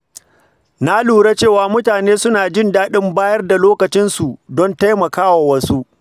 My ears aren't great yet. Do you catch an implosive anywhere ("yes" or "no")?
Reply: yes